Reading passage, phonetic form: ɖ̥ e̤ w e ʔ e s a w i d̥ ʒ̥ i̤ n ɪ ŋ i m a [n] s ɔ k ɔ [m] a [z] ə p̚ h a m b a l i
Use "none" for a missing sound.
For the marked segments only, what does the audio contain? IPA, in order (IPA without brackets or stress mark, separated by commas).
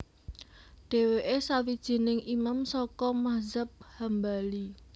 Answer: m, m, z